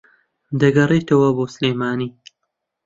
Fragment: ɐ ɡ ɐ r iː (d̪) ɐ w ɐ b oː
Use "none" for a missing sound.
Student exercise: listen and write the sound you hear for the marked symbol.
t̪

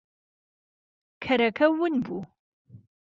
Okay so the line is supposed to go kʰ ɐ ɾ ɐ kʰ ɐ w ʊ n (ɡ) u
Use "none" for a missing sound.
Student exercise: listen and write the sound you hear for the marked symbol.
b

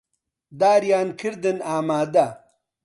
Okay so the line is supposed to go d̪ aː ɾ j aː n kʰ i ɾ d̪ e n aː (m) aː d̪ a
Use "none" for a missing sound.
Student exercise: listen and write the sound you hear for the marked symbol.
m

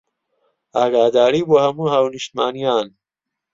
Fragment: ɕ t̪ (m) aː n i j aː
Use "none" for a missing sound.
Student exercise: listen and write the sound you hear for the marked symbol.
m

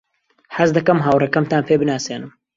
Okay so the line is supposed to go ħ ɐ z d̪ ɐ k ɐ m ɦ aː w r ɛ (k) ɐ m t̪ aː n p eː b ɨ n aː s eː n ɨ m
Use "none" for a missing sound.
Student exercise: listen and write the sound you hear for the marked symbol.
k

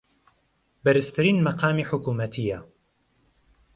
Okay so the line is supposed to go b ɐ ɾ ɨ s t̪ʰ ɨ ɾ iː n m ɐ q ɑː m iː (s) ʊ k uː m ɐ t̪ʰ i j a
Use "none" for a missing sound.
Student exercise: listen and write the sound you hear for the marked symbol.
ħ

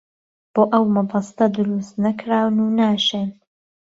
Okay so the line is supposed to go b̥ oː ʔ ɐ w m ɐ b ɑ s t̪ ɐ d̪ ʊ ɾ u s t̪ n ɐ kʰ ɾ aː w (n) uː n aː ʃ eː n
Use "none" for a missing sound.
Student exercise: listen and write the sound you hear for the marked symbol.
n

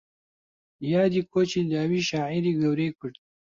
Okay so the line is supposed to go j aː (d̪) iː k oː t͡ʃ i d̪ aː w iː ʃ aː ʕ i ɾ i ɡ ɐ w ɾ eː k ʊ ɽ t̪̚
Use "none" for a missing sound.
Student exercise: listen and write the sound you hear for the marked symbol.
d̪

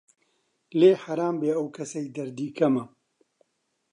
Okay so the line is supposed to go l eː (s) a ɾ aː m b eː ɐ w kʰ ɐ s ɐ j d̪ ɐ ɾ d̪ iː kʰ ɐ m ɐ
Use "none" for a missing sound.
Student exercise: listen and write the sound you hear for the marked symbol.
ħ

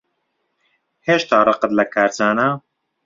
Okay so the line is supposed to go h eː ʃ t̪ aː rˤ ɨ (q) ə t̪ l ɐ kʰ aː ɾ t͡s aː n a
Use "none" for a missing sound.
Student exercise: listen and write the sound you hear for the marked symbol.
q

